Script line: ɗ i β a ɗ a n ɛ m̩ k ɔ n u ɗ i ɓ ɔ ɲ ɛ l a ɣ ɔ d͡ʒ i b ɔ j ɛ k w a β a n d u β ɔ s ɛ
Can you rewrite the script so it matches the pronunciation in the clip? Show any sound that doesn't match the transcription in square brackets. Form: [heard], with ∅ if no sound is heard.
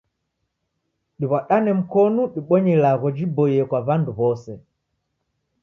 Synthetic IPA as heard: ɗ i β a ɗ a n ɛ m̩ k ɔ n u ɗ i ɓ ɔ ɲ ɛ l a ɣ ɔ d͡ʒ i b ɔ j ɛ k w a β a n d u β ɔ s ɛ